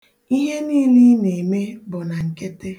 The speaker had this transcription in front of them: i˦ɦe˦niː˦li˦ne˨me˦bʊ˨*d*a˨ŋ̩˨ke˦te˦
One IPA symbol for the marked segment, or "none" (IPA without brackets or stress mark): n